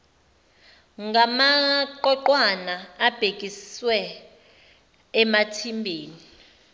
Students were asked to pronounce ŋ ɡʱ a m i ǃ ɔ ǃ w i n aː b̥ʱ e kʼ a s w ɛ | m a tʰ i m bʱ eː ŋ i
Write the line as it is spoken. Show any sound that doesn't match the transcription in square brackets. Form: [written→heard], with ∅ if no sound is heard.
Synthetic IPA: ŋ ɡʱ a m [i→a] ǃ ɔ ǃ w [i→a] n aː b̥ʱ e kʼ [a→i] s w ɛ | m a tʰ i m bʱ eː [ŋ→n] i